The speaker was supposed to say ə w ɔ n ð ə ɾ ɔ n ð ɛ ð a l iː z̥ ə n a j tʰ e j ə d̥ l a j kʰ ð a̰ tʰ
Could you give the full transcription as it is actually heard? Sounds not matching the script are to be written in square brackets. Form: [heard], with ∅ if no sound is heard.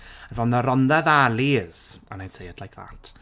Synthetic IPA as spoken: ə [v] ɔ n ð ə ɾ ɔ n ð ɛ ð a l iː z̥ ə n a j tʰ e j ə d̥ l a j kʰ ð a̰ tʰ